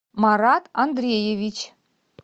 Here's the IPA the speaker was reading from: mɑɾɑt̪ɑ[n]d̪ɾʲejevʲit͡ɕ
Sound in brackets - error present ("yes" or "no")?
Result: no